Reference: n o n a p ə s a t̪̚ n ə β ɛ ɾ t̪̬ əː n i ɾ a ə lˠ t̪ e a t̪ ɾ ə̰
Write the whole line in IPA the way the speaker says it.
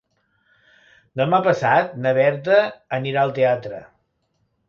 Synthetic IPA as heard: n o m a p ə s a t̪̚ n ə β ɛ ɾ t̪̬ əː n i ɾ a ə lˠ t̪ e a t̪ ɾ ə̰